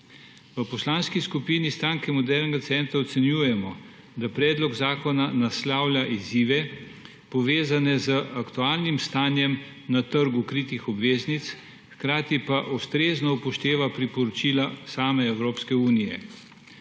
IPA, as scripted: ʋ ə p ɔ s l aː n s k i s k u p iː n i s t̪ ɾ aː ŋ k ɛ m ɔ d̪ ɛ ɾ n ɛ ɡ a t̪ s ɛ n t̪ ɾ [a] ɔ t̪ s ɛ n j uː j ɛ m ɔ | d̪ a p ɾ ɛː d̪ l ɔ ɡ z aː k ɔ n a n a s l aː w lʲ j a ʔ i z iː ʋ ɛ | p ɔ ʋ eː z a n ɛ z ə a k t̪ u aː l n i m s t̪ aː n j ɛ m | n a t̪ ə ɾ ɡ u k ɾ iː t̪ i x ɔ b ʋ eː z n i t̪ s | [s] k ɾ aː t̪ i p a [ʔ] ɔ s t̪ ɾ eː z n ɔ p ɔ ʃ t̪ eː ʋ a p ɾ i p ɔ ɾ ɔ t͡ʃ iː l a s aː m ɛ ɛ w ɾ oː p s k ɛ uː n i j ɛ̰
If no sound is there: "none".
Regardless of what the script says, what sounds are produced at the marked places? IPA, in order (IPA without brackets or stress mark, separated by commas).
a, x, ʔ